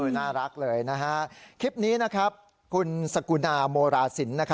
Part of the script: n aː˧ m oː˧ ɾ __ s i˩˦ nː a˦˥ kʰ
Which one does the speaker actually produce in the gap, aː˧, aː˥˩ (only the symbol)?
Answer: aː˧